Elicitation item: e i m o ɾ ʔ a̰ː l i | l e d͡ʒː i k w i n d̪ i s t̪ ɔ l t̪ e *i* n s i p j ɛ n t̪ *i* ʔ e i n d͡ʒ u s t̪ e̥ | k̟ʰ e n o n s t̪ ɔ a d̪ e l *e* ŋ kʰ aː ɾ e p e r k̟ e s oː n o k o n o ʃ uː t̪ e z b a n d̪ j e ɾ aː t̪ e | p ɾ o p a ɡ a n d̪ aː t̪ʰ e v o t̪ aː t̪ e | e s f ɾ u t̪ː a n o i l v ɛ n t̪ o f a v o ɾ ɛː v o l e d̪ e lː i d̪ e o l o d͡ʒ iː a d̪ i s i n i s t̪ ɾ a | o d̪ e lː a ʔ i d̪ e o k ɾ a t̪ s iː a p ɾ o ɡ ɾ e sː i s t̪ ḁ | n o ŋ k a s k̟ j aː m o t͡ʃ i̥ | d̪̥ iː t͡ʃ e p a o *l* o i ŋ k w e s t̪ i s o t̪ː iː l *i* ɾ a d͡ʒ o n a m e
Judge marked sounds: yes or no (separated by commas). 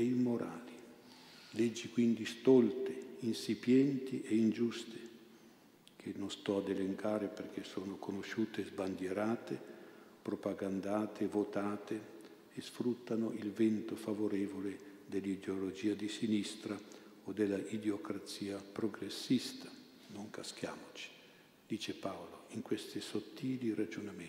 yes, yes, yes, yes, yes